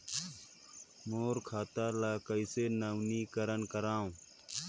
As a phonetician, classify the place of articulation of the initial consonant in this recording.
labial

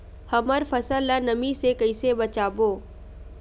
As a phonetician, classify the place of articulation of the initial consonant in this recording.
glottal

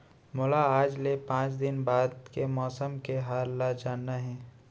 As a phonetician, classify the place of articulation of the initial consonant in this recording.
labial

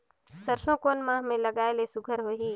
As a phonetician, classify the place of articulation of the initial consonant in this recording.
alveolar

